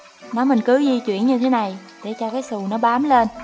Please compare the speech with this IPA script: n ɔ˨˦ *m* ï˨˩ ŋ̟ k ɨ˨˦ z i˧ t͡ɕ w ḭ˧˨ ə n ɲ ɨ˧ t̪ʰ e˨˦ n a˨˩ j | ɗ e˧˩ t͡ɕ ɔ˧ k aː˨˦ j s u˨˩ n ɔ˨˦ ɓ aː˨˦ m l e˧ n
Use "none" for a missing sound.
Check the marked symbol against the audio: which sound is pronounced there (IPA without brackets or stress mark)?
m